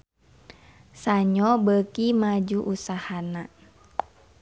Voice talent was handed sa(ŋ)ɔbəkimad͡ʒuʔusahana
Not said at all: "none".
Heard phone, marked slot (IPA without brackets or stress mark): ɲ